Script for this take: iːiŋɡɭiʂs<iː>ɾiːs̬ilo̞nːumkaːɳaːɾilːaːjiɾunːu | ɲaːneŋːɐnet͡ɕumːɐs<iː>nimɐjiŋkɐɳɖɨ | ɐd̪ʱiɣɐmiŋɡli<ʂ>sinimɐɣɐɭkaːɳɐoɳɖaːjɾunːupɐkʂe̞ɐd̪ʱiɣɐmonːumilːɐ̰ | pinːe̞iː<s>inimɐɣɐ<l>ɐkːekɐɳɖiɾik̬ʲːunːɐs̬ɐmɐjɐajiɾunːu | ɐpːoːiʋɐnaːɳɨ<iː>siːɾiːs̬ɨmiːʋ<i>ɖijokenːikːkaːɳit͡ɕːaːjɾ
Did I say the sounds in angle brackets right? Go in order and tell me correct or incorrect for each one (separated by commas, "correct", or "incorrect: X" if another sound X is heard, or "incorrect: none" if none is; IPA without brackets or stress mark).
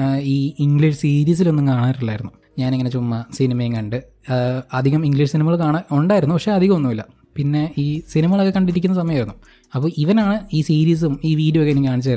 correct, incorrect: i, correct, correct, incorrect: ɭ, correct, incorrect: iː